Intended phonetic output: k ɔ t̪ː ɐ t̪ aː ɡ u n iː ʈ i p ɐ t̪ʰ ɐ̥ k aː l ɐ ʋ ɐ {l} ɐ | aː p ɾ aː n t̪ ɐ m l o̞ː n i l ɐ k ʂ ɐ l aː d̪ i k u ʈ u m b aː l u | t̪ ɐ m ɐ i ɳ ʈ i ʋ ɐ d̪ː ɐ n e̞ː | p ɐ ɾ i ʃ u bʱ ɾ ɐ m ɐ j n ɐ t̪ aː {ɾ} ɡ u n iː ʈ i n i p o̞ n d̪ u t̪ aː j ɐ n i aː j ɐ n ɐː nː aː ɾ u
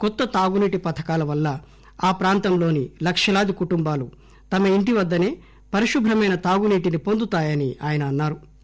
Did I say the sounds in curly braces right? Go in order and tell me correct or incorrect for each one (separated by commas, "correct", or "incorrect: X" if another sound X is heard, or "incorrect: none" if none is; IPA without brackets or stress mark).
incorrect: lː, incorrect: none